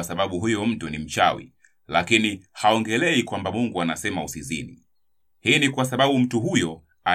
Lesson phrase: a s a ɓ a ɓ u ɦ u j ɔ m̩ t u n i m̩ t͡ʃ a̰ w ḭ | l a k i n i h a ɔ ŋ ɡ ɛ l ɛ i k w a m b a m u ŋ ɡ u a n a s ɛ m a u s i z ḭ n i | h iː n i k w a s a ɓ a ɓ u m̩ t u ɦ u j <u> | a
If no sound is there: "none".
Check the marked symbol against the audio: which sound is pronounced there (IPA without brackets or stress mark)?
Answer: ɔ